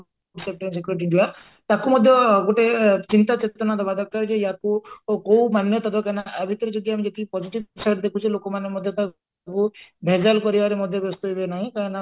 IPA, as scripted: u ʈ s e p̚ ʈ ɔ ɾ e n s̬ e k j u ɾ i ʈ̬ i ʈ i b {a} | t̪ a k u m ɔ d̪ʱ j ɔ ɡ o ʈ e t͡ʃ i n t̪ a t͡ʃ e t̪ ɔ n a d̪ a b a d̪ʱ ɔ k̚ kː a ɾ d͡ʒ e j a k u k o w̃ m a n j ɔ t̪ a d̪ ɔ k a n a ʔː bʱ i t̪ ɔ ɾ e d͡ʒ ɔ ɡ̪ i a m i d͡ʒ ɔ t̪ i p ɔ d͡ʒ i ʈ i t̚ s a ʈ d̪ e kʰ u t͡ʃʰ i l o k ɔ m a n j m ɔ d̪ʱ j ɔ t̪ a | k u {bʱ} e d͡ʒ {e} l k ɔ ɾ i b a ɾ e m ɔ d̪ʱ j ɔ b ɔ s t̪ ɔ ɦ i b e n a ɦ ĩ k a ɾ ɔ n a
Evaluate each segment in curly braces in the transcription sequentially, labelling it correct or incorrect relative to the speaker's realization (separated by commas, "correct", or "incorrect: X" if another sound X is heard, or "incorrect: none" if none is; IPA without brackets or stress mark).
correct, correct, incorrect: a